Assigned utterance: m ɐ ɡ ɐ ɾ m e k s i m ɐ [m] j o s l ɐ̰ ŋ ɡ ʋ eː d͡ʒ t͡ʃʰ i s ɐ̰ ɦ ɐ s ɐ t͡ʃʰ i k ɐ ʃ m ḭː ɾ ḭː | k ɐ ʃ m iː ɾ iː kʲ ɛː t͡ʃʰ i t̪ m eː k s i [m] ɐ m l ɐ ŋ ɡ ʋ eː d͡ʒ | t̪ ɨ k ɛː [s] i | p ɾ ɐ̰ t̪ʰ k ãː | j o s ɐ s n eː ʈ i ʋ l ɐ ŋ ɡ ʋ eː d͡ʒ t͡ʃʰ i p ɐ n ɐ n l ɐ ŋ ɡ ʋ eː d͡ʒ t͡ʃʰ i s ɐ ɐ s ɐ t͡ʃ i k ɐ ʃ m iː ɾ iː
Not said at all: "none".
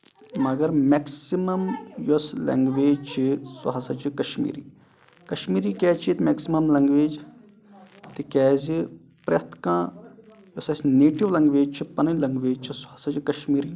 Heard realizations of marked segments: m, m, z

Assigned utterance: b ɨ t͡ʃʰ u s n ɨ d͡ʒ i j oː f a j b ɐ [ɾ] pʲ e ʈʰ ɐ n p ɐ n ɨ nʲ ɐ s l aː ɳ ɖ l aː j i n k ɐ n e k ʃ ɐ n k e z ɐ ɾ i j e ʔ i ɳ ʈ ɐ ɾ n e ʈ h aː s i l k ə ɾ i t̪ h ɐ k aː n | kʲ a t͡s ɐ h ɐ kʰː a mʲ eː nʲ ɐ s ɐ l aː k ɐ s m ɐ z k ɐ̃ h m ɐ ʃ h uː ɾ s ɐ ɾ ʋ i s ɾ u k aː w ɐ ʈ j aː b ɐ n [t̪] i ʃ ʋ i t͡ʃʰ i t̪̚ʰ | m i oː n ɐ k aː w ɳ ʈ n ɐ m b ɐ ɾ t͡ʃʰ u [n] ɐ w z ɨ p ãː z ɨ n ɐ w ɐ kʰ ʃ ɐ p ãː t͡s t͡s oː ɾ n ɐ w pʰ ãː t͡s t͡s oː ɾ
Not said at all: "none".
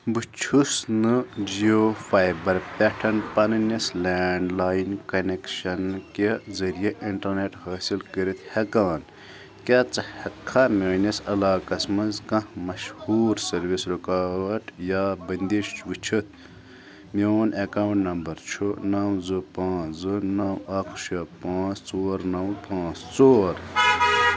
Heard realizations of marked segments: ɾ, d̪, n

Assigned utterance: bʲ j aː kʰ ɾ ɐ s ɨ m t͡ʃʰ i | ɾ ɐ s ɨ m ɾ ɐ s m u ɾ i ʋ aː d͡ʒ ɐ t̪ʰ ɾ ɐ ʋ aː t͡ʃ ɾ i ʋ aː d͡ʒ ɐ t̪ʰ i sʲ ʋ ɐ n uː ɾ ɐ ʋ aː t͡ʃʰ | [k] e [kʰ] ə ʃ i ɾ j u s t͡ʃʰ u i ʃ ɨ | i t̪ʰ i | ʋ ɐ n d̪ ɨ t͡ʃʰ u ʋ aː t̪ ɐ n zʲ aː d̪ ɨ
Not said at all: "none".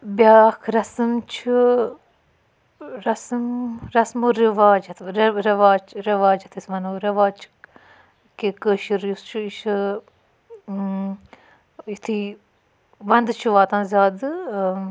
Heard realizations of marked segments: k, k

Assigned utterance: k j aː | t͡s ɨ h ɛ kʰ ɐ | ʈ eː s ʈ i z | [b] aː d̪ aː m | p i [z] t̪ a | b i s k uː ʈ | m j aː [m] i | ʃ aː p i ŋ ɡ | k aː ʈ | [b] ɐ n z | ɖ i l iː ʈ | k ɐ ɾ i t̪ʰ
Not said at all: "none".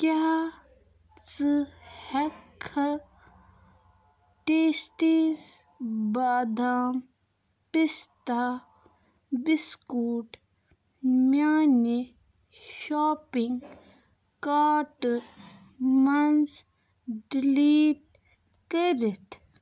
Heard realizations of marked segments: b, s, n, m

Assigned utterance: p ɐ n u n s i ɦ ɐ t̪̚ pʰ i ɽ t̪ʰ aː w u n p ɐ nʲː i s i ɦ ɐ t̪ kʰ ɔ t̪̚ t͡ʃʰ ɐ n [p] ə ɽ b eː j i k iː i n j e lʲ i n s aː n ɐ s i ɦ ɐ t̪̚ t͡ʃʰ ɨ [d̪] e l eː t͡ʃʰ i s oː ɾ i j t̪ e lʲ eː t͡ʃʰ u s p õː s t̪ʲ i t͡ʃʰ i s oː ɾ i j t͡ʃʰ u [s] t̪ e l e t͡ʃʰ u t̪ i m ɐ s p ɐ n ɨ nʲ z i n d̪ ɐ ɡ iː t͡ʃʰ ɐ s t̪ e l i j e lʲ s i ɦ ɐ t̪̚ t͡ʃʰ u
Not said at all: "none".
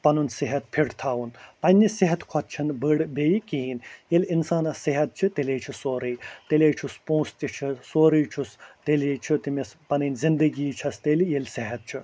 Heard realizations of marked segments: b, t̪, s

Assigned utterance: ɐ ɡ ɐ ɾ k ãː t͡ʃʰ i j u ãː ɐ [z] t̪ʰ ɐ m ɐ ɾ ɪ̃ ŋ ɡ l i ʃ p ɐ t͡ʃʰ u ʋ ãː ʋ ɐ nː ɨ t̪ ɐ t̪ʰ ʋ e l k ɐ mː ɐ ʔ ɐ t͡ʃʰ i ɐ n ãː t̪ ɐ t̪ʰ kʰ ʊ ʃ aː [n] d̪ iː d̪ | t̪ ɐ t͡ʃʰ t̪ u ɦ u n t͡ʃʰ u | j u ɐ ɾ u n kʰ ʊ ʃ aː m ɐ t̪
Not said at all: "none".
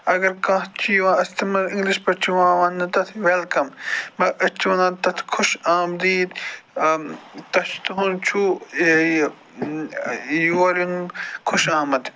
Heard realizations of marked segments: s, m

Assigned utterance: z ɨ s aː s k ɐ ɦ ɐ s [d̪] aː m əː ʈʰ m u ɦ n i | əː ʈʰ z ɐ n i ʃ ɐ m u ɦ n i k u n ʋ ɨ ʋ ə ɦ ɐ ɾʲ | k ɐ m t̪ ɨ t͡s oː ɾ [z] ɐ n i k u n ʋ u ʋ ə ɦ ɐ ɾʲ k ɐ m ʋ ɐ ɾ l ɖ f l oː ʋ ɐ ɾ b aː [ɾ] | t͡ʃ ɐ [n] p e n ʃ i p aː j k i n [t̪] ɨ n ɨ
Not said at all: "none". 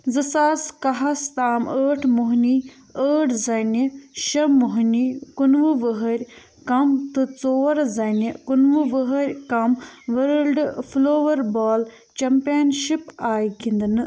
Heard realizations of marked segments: t̪, z, l, m, d̪

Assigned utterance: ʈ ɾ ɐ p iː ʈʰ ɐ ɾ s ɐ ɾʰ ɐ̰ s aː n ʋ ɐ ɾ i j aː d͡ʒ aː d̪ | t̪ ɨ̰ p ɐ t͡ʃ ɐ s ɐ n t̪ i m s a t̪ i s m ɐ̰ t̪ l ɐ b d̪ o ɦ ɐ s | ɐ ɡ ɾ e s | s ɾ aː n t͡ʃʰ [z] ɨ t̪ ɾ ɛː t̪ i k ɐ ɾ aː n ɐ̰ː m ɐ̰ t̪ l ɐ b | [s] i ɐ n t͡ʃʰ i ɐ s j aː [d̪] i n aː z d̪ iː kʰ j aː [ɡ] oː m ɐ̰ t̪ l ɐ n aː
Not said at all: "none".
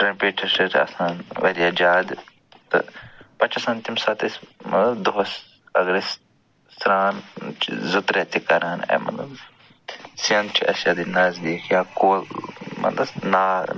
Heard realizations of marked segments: z, s, d̪, k

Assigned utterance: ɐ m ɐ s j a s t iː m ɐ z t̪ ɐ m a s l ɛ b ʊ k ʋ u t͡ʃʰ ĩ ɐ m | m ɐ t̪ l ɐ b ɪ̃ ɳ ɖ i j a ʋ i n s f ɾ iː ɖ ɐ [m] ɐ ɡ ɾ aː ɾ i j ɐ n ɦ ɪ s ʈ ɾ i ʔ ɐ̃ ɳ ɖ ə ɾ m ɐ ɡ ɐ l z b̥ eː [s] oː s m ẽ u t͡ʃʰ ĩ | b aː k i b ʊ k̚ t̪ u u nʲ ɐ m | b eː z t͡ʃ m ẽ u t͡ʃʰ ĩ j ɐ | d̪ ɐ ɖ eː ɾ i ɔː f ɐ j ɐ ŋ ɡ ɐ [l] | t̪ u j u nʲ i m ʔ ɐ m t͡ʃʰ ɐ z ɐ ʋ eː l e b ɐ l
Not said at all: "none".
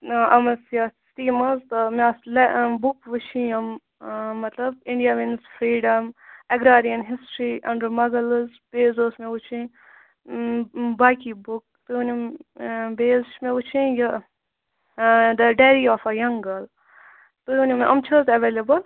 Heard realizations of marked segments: m, z, l

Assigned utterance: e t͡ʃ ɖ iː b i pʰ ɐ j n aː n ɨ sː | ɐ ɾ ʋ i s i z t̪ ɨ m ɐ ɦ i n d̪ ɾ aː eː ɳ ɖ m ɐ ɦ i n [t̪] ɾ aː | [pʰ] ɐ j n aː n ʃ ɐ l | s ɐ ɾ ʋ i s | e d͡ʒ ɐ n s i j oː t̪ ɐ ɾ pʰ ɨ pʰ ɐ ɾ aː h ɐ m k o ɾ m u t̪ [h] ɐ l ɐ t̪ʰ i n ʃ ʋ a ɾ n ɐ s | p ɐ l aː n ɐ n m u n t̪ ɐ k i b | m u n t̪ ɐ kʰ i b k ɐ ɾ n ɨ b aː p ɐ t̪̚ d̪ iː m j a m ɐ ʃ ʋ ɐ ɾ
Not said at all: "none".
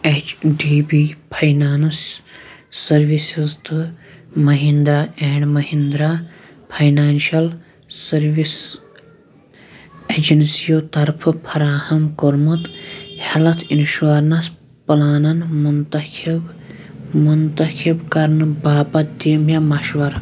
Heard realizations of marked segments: d̪, pʰ, h

